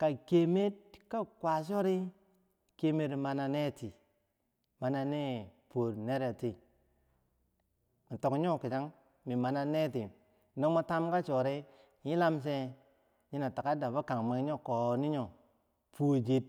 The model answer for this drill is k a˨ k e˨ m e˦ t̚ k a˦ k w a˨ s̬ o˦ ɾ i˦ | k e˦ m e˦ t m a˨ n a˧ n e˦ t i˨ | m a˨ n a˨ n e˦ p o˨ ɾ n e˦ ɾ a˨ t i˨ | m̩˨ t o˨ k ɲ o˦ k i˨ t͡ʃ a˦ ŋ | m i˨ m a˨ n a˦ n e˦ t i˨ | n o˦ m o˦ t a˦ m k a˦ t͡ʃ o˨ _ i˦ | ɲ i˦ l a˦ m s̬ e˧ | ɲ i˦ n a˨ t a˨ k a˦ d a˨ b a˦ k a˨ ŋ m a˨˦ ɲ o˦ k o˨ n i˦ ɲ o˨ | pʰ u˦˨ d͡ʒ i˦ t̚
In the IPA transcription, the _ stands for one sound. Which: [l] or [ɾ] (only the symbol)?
ɾ